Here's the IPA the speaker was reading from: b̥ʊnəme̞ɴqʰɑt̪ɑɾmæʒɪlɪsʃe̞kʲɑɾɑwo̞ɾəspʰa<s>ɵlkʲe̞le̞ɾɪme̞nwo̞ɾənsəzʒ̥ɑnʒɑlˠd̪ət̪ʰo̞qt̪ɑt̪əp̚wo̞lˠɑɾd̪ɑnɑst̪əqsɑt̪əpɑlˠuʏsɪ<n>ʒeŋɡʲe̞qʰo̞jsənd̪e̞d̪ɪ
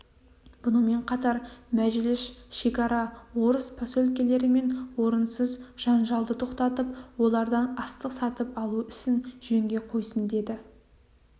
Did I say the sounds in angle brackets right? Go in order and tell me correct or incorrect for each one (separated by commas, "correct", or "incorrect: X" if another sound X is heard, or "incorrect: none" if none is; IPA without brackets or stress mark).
correct, correct